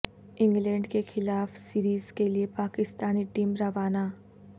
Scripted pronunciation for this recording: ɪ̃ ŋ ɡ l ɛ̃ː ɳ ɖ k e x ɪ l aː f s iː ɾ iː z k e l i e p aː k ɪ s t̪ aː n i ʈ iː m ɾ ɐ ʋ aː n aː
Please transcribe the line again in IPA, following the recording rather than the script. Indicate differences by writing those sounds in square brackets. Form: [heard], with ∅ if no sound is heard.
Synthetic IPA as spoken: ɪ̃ ŋ ɡ l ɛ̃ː ɳ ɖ k e x ɪ l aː f s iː ɾ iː z k e l i e p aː k ɪ s t̪ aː n i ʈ iː m ɾ ɐ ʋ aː n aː